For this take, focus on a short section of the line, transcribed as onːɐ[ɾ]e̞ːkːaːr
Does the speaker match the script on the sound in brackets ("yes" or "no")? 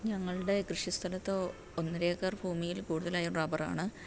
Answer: yes